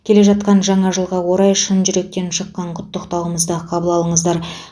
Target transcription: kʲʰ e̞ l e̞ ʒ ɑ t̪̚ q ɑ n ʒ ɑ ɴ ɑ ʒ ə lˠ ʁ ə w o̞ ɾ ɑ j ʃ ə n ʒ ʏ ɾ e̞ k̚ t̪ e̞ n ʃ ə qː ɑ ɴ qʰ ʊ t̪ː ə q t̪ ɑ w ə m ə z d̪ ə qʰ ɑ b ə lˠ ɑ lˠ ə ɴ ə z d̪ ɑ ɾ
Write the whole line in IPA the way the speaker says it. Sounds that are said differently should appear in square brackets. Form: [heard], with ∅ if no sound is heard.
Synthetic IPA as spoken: kʲʰ e̞ l e̞ ʒ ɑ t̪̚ q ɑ n ʒ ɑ ɴ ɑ ʒ ə lˠ ʁ [ɑ] w o̞ ɾ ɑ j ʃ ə n ʒ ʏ ɾ e̞ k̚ t̪ e̞ n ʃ ə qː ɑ ɴ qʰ ʊ t̪ː ə q t̪ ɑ w ə m ə z d̪ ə qʰ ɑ b ə lˠ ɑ lˠ ə ɴ ə z d̪ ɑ ɾ